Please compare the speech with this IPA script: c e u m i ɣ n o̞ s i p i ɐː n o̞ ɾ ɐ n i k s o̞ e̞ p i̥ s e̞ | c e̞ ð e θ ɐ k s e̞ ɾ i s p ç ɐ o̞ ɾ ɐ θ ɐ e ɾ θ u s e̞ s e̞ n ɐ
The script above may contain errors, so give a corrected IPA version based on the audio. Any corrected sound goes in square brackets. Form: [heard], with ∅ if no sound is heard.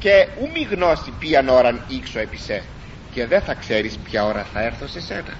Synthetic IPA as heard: c e u m i ɣ n o̞ s i p i [ɐ] n o̞ ɾ ɐ n i k s o̞ e̞ p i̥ s e̞ | c e̞ ð e θ ɐ k s e̞ ɾ i s p ç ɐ o̞ ɾ ɐ θ ɐ e ɾ θ [o] s e̞ s e̞ n ɐ